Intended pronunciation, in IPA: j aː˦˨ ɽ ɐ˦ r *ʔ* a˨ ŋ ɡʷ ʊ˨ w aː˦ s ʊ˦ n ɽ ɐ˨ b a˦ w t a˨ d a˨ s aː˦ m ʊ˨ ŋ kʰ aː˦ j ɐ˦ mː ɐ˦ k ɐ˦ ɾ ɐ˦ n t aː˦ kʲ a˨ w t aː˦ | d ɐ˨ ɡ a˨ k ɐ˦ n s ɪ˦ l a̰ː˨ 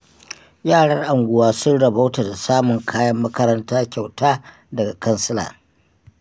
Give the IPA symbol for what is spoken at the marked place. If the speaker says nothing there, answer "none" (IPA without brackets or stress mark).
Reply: ʔ